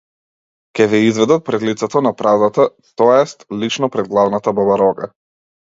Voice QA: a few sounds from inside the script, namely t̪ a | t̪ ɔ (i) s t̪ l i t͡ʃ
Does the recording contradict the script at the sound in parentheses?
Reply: yes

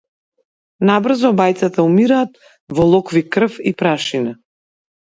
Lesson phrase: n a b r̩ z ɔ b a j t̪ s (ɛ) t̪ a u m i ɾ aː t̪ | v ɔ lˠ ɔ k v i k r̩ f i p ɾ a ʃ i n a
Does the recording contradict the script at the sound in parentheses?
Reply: yes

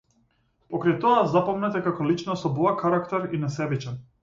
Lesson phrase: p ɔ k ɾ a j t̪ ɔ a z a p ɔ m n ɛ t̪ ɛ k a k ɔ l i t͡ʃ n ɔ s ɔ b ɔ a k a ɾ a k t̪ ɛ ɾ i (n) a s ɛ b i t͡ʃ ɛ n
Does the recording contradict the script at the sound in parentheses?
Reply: no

